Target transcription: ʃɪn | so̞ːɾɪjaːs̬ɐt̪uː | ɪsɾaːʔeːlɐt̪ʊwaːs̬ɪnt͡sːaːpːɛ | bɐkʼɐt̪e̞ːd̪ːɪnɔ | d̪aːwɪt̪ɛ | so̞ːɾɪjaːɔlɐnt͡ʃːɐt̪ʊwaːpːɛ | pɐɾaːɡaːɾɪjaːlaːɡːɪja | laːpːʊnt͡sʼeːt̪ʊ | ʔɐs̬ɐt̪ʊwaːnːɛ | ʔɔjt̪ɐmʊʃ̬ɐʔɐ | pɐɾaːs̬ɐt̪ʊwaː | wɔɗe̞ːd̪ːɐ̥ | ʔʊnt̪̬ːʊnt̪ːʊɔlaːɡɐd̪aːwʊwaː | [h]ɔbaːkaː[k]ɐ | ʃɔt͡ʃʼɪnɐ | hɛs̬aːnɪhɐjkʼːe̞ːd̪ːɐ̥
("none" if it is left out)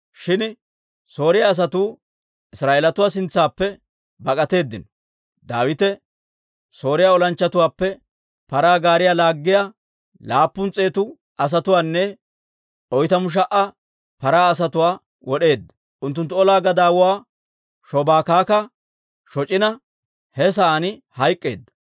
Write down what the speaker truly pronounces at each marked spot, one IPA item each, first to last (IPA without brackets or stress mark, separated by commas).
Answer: ʃ, k